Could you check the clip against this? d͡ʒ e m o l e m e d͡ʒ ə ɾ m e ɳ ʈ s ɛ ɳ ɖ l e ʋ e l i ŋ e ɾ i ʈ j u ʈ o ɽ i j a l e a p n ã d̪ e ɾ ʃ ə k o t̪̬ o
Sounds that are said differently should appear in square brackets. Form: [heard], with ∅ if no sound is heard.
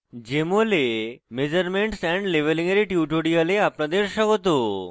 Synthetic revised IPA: d͡ʒ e m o l e m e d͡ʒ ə ɾ m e ɳ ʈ s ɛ ɳ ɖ l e ʋ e l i ŋ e ɾ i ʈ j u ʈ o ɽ i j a l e a p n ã d̪ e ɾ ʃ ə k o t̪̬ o